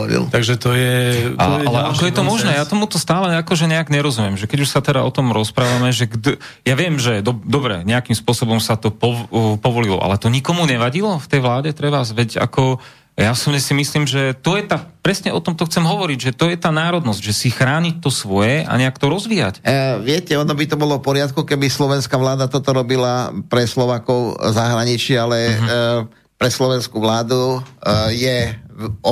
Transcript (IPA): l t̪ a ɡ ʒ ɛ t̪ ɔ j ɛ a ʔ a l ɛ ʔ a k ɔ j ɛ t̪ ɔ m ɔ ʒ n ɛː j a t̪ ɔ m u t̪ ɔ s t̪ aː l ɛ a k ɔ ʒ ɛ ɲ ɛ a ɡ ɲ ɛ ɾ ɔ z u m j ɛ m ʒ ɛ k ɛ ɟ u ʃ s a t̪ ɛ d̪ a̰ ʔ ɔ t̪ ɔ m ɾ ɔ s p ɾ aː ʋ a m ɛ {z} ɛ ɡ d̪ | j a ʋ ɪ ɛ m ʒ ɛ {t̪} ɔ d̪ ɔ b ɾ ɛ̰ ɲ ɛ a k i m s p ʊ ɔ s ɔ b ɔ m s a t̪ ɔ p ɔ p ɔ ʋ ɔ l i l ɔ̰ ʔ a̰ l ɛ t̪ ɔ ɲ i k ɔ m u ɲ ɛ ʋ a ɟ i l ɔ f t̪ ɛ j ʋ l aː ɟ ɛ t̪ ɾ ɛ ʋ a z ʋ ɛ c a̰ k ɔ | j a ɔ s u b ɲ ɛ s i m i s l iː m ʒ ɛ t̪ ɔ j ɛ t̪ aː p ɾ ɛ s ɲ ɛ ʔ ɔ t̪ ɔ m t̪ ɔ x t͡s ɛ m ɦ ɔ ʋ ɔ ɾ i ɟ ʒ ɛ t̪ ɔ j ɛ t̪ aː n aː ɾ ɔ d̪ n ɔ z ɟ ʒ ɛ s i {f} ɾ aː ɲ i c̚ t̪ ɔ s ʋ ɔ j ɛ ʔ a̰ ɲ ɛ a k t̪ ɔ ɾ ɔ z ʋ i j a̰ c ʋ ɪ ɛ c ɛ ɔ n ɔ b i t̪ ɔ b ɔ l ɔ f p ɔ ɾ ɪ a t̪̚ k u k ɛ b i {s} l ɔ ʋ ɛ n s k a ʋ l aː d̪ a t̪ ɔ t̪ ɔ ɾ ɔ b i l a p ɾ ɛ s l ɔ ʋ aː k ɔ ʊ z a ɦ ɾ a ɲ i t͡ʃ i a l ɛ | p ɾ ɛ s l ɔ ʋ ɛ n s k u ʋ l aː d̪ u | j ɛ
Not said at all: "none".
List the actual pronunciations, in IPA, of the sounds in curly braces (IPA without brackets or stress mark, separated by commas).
ʒ, d̪, x, s